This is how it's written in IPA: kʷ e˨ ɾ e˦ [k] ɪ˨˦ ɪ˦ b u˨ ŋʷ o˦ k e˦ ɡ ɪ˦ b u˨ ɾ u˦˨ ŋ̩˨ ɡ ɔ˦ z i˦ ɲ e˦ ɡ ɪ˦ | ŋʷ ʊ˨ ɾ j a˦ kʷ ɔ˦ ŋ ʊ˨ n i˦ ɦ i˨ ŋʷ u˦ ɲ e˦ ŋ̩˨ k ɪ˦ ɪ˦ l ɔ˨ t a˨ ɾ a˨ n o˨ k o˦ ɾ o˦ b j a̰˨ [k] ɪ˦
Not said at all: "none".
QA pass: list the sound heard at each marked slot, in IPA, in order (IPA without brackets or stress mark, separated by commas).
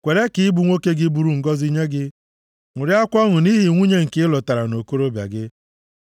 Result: k, ɡ